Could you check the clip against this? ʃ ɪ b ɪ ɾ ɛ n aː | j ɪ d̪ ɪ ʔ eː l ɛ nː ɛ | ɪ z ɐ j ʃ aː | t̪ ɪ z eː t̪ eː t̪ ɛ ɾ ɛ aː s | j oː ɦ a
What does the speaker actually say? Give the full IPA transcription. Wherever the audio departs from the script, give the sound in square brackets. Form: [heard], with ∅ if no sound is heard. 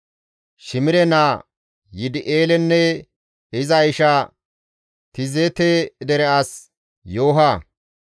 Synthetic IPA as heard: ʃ ɪ [m] ɪ ɾ ɛ n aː | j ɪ d̪ ɪ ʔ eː l ɛ nː ɛ | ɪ z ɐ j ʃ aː | t̪ ɪ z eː t̪ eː [d̪] ɛ ɾ ɛ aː s | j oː ɦ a